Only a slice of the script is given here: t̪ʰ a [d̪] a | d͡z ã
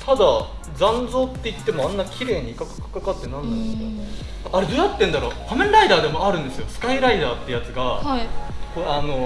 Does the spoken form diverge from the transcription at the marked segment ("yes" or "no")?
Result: no